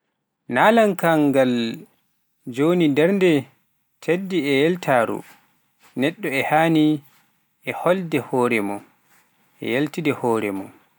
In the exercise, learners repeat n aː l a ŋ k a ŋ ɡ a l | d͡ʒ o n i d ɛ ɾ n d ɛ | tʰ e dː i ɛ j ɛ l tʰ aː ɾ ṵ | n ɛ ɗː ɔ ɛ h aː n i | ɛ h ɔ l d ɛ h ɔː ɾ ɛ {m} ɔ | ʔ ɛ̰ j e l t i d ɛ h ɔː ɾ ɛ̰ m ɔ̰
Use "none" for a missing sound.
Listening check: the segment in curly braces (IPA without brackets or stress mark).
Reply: m